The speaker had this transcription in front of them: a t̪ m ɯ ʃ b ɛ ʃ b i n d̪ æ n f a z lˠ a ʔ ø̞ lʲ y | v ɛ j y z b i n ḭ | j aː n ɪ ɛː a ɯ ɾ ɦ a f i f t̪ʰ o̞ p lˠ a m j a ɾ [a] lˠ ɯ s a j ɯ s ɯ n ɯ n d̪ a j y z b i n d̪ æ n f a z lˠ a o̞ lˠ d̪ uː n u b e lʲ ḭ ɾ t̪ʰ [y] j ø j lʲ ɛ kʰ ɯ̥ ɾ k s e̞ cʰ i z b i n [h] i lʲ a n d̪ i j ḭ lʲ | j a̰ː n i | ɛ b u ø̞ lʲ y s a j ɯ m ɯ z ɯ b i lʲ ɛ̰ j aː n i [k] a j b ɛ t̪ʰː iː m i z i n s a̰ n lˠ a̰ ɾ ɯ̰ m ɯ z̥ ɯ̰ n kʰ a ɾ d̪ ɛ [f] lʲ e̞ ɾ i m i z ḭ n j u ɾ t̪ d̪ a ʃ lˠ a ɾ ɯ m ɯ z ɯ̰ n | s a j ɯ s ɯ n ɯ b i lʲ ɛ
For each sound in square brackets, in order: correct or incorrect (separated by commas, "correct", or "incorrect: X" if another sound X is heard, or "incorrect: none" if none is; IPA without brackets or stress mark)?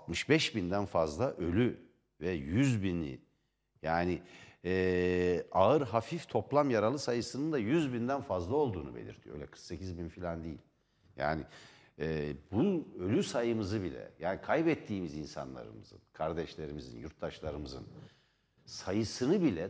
correct, incorrect: i, incorrect: f, incorrect: kʰ, incorrect: ʃ